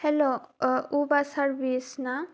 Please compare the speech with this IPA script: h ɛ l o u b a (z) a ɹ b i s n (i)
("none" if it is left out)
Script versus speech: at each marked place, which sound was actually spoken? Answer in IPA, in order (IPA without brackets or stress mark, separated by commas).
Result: s, a